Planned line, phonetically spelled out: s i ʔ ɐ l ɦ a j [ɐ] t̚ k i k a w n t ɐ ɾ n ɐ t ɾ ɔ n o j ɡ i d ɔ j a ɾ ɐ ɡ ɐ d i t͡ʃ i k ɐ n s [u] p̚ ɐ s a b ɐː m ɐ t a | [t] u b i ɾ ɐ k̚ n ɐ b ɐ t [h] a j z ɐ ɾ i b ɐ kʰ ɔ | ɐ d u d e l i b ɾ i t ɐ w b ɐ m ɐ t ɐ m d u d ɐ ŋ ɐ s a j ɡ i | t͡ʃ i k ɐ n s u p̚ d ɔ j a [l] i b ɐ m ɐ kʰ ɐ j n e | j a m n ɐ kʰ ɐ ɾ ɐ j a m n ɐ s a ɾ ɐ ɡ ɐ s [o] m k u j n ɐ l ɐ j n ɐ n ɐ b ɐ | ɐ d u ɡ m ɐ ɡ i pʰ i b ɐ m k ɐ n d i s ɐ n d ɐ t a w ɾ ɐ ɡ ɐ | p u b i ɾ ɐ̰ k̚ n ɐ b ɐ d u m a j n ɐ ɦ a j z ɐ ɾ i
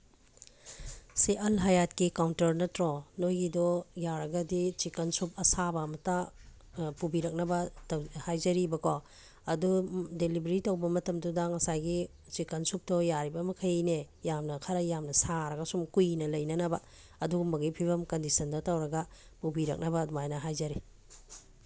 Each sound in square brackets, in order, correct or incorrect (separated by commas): incorrect, correct, incorrect, correct, incorrect, incorrect